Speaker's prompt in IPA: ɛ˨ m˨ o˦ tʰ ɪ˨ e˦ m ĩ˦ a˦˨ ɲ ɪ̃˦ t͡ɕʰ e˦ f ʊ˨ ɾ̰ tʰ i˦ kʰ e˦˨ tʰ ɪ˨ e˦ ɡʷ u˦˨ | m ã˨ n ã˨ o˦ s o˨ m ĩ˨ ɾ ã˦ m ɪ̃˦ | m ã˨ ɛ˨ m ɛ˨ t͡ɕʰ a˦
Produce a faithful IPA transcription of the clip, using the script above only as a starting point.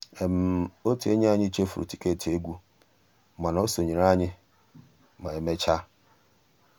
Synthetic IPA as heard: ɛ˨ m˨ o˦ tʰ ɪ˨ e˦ ɲ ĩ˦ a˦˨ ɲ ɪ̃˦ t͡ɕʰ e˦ f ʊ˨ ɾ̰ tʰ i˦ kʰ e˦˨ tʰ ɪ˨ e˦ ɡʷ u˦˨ | m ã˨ n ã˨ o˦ s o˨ ɲ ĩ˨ ɾ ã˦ ɲ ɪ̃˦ | m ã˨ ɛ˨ m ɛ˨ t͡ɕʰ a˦